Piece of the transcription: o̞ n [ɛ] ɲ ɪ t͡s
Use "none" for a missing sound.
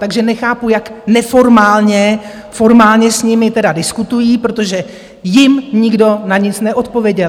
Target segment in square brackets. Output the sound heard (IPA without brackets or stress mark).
a